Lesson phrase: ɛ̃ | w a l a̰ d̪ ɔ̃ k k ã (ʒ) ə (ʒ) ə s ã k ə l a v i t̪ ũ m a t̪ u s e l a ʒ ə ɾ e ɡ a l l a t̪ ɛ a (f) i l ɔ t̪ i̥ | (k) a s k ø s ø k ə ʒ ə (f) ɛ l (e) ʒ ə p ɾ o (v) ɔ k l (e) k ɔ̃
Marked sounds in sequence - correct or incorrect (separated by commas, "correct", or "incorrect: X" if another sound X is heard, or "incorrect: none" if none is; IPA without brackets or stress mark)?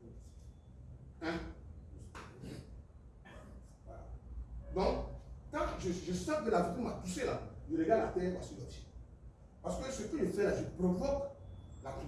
correct, correct, incorrect: s, incorrect: p, correct, incorrect: a, correct, incorrect: a